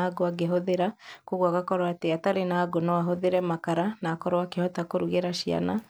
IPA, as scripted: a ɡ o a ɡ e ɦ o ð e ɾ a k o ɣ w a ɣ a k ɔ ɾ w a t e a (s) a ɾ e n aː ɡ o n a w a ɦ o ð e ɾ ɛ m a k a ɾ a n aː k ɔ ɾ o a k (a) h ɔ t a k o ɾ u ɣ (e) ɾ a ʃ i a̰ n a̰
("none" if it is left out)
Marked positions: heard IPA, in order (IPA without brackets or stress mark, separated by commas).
t, e, e